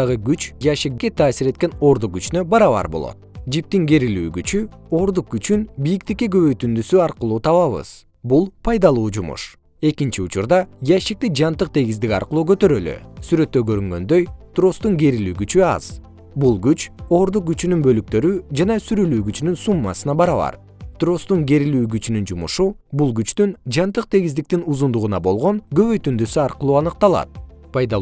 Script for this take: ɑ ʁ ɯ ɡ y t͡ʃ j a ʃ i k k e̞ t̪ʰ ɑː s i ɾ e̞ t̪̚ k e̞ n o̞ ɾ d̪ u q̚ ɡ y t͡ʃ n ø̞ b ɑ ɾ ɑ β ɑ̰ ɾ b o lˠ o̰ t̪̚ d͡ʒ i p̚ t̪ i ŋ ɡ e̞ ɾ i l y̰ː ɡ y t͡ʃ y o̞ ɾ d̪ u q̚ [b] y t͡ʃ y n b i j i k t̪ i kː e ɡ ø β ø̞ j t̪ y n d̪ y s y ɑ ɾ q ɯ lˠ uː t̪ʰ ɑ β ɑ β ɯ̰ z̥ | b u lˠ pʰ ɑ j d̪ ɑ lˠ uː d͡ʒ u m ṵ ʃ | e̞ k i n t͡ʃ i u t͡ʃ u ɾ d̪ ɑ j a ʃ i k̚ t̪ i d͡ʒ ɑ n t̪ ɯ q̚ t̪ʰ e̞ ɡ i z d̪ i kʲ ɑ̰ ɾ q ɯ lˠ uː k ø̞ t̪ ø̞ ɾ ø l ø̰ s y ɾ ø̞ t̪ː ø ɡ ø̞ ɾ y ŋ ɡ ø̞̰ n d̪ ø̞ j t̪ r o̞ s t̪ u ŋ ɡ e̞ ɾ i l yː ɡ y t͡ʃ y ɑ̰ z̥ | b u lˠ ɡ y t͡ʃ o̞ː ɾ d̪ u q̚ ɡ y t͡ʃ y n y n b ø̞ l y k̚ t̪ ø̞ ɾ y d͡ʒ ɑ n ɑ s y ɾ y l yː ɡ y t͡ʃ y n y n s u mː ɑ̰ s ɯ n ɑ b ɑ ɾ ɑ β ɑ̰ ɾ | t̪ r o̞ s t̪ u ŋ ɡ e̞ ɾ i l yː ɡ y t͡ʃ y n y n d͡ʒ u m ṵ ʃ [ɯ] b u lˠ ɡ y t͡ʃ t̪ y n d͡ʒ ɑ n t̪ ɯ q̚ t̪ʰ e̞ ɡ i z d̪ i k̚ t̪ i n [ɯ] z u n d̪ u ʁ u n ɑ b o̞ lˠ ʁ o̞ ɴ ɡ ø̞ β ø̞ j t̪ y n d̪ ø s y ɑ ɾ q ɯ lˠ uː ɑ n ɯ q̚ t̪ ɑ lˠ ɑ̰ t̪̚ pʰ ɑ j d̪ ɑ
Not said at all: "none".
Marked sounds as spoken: ɡ, u, u

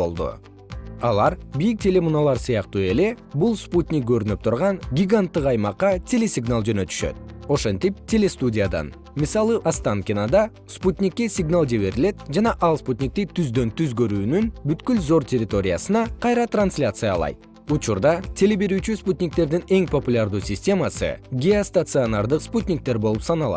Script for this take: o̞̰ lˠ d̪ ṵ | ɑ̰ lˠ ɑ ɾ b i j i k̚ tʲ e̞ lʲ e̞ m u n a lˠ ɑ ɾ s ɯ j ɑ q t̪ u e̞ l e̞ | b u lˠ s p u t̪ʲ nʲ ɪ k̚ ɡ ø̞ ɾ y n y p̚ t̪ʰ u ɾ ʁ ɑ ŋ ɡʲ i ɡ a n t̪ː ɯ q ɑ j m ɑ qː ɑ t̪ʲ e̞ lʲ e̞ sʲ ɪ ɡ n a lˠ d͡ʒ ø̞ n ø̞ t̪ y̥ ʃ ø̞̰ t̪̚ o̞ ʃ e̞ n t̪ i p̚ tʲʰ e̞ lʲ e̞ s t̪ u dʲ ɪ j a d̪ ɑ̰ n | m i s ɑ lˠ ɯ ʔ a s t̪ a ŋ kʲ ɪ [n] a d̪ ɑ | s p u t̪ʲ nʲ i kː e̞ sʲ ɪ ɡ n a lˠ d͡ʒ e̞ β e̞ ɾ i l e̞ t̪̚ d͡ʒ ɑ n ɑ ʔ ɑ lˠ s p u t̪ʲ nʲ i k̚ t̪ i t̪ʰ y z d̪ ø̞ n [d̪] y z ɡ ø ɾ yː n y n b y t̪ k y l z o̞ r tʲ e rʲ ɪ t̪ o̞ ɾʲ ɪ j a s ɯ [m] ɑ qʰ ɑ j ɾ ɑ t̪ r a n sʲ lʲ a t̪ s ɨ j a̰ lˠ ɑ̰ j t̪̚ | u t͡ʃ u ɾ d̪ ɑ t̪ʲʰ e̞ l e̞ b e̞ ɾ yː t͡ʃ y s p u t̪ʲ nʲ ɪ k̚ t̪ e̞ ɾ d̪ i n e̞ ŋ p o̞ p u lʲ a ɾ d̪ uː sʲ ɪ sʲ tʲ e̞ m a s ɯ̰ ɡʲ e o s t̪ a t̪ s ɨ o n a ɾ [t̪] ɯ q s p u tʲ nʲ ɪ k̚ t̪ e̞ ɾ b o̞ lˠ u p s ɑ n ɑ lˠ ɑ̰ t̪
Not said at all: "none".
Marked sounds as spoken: n, t̪, n, d̪

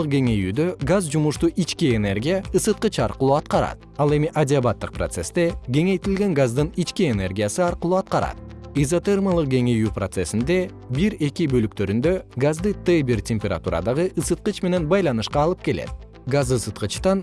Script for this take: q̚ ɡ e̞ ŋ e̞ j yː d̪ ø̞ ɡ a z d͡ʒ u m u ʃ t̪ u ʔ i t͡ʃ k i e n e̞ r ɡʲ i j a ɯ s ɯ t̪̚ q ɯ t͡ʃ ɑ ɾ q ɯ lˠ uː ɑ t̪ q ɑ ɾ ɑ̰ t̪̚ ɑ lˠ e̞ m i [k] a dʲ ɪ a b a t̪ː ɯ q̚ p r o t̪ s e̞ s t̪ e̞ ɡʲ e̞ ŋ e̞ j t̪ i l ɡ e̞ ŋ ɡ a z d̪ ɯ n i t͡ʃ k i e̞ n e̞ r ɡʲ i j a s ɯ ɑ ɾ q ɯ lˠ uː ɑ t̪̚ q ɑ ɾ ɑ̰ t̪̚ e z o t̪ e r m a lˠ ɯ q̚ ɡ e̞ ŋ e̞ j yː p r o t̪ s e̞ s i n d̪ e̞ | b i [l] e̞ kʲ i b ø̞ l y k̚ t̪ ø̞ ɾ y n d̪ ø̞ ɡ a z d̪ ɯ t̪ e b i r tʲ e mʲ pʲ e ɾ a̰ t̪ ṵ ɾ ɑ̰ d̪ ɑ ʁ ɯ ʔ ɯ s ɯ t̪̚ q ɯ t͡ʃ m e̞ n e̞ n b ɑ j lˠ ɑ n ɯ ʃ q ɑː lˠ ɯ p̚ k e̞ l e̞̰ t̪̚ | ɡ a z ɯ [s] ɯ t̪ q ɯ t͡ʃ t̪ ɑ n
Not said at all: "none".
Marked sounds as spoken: ʔ, ɾ, s

